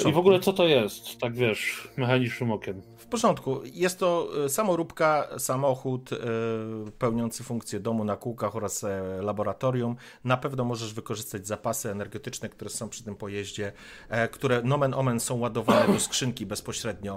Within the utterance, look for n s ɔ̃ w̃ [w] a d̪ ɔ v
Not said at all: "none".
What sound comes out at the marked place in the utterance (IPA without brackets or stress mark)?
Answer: w